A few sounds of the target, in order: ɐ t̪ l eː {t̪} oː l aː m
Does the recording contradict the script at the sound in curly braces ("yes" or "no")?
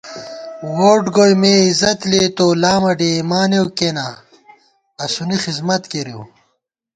no